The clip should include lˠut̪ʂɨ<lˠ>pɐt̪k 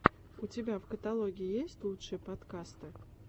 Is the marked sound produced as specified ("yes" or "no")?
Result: no